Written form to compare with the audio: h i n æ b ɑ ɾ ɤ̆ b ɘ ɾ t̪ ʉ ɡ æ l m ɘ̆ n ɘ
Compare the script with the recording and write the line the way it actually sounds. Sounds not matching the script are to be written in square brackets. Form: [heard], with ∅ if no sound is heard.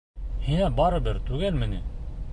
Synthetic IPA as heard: h i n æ b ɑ ɾ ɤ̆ b ɘ ɾ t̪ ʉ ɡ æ l m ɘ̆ n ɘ